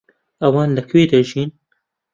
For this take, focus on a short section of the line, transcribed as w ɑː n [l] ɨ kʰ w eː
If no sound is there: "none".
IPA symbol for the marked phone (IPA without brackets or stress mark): l